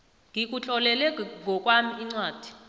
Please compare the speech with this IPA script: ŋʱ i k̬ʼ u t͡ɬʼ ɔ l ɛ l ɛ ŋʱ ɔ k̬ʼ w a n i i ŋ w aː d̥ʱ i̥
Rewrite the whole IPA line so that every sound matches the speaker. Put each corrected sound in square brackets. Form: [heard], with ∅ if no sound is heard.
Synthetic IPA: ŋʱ i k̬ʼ u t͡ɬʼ ɔ l ɛ l ɛ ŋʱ ɔ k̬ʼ w a [m] i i [ŋ͡ǀ] w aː d̥ʱ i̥